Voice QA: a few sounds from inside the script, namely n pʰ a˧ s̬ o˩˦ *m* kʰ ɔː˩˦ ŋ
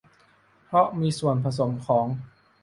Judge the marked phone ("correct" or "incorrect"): correct